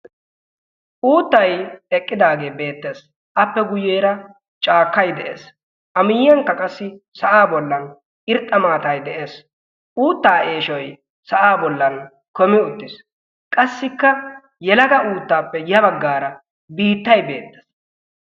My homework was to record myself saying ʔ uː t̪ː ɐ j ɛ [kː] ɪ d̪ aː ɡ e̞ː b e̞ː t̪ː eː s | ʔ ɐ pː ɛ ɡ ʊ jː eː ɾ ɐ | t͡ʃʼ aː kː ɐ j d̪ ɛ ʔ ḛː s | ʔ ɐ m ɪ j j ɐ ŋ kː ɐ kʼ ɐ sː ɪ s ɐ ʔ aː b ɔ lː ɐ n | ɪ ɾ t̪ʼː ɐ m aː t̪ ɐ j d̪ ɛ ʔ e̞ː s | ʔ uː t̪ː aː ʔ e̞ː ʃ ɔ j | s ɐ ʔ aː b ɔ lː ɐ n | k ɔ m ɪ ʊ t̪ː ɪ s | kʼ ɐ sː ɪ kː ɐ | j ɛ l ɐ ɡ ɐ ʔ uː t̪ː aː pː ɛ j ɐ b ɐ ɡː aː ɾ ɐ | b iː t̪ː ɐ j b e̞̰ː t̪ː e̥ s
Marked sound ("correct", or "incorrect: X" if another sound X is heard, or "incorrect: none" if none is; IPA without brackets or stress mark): incorrect: kʼː